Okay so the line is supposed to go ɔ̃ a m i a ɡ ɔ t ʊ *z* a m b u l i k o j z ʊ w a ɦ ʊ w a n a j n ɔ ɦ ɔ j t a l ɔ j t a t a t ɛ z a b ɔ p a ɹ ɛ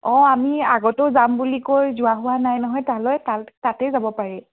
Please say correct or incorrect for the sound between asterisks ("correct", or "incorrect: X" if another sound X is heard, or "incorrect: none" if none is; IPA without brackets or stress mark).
correct